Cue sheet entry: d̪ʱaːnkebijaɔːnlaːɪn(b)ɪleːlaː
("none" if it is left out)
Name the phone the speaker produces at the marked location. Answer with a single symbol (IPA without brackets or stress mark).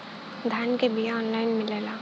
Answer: m